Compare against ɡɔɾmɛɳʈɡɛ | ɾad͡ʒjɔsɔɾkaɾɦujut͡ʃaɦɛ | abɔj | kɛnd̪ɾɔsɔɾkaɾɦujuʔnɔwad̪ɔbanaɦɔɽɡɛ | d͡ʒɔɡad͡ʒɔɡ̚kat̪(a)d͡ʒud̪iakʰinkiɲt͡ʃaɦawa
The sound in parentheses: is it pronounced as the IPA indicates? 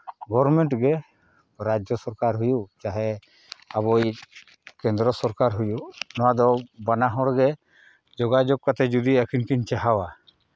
no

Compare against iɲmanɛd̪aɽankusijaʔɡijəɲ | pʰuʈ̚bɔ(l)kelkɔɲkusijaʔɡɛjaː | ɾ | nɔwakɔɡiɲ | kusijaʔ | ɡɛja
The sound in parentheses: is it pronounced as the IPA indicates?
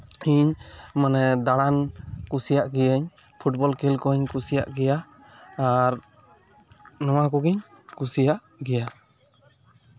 yes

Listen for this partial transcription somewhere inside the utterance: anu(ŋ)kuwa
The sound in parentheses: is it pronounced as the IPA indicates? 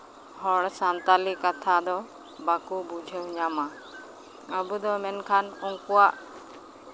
yes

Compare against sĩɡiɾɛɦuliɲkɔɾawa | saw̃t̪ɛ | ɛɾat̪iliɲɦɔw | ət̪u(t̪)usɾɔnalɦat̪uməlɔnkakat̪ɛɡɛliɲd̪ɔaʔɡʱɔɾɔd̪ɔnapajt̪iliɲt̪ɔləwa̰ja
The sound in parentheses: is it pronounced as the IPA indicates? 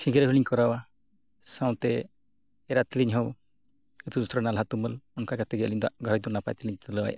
no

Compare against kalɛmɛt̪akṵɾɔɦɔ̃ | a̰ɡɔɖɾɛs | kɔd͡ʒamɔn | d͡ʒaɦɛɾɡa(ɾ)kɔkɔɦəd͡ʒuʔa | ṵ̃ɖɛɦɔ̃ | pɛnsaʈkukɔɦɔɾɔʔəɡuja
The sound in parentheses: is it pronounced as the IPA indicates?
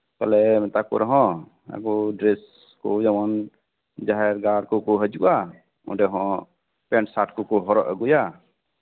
yes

